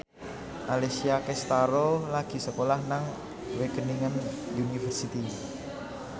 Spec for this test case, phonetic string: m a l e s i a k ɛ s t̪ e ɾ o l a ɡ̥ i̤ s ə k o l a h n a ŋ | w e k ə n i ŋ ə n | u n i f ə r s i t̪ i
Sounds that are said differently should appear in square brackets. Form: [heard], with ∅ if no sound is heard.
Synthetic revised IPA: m a l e s i a k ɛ s t̪ [a] ɾ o l a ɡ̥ i̤ s ə k o l a h n a ŋ | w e k ə n i ŋ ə n | u n i f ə r s i t̪ i